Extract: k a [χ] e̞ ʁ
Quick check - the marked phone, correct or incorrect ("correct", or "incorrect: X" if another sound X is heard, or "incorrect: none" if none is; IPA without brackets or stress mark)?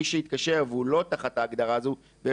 incorrect: ʃ